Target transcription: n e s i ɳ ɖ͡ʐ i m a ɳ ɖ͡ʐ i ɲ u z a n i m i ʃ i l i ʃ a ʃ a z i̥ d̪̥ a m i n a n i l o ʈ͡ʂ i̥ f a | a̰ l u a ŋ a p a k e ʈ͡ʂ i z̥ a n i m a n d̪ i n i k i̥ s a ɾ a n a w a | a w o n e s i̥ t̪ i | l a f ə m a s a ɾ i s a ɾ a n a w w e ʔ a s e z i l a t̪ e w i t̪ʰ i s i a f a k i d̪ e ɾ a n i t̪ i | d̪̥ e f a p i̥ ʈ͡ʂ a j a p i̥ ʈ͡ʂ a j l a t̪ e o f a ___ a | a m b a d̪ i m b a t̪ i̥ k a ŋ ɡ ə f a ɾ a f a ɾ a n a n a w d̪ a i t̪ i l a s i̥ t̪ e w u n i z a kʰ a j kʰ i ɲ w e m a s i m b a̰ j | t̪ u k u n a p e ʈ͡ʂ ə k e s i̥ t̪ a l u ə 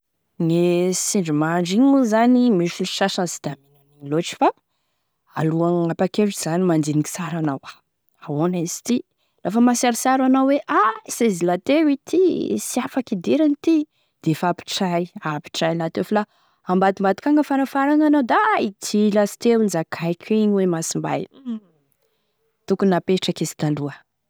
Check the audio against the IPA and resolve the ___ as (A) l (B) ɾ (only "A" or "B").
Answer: A